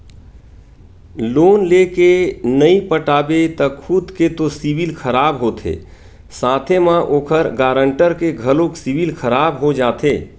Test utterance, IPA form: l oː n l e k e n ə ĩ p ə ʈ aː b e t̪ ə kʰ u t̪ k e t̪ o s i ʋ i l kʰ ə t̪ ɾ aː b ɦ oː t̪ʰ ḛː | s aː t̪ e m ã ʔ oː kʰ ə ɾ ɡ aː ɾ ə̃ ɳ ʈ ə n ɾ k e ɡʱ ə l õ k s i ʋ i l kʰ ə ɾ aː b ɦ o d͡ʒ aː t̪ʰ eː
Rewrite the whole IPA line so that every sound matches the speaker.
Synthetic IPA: l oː n l e k e n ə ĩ p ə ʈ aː b e t̪ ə kʰ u d̪ k e t̪ o s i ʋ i l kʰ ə ɾ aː b ɦ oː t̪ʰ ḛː | s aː t̪ʰ e m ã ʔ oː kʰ ə ɾ ɡ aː ɾ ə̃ ɳ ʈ ə ɾ k e ɡʱ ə l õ k s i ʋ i l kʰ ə ɾ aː b ɦ o d͡ʒ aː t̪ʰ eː